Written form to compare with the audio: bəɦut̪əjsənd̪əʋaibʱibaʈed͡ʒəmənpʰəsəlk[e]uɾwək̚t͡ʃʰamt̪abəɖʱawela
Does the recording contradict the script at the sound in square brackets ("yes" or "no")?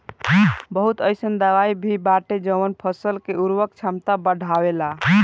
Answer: no